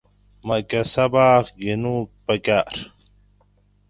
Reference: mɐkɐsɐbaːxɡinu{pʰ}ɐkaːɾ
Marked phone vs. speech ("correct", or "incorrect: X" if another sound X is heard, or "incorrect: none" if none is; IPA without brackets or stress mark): incorrect: p